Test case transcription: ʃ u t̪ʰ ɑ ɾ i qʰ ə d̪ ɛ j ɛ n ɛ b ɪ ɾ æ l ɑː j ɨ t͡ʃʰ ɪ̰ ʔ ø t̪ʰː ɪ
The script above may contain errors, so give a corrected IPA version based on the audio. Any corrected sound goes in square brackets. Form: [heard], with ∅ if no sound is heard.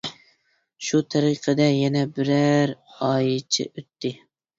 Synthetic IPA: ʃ u t̪ʰ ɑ ɾ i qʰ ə d̪ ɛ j ɛ n ɛ b ɪ ɾ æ [ɾ] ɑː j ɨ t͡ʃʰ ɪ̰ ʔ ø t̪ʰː ɪ